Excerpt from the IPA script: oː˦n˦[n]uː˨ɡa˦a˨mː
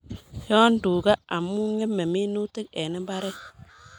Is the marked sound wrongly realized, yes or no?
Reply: yes